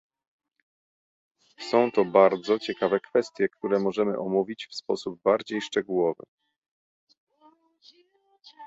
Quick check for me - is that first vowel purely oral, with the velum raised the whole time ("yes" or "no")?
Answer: no